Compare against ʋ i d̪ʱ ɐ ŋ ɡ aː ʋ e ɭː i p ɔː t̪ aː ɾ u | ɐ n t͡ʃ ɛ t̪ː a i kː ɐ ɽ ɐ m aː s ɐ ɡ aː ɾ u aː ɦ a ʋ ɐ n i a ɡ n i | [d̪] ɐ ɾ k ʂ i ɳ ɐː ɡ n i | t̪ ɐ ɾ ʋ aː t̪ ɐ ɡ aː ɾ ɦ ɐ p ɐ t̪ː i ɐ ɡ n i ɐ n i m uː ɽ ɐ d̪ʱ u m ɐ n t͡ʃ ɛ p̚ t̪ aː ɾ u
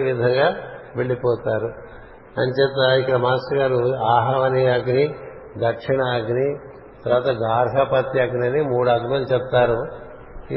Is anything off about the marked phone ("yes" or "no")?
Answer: no